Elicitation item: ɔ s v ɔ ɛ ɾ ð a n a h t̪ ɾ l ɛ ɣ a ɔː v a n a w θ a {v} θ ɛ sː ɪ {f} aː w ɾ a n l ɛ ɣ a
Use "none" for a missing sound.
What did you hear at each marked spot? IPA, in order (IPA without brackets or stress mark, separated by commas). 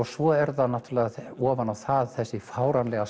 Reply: ð, f